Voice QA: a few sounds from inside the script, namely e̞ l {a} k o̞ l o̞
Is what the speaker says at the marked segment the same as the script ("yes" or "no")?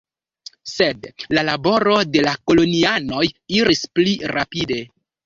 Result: yes